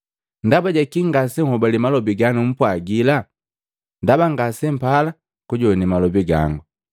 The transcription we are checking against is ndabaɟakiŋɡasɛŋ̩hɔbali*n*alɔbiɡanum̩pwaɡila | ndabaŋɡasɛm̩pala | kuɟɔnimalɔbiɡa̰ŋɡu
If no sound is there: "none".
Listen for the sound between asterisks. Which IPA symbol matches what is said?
m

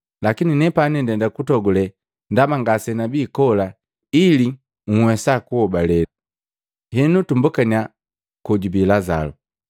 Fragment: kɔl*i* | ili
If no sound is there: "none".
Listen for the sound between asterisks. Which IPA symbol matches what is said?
a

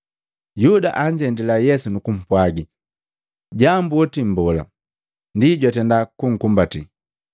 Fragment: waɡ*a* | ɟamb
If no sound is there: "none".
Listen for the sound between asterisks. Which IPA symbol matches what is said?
i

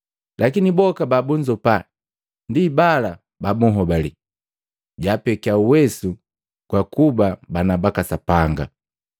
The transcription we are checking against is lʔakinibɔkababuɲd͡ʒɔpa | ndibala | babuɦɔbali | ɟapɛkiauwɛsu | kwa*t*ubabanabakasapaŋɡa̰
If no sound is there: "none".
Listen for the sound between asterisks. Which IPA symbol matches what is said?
k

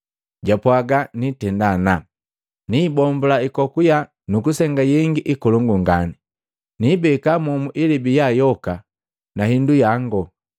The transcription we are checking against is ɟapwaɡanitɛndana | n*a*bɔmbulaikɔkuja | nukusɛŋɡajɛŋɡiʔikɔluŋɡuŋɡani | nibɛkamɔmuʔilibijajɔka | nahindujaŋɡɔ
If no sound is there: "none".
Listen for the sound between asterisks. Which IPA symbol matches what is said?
i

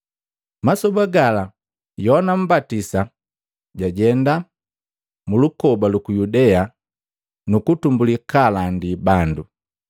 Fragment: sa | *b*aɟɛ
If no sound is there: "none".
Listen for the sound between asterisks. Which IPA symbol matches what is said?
ɟ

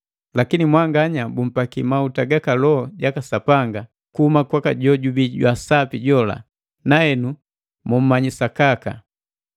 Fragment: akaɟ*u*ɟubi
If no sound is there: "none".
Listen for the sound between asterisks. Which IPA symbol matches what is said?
ɔ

